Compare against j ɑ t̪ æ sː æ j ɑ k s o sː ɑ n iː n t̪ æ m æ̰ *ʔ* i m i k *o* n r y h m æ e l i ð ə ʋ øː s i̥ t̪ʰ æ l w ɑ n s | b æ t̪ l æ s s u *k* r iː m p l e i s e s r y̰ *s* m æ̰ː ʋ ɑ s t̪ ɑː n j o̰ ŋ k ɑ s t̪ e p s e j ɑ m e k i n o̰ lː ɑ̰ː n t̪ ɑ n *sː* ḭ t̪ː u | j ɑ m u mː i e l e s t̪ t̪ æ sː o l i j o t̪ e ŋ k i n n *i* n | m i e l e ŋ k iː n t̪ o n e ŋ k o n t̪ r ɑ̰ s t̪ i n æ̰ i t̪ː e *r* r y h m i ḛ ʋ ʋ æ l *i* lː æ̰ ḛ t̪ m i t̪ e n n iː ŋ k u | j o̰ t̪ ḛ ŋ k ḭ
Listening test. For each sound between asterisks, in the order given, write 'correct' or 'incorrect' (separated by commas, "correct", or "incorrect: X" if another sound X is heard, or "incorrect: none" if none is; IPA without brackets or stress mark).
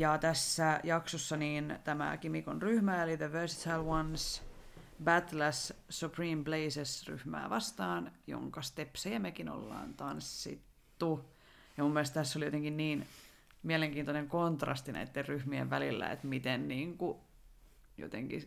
incorrect: k, correct, incorrect: p, incorrect: h, correct, incorrect: iː, correct, correct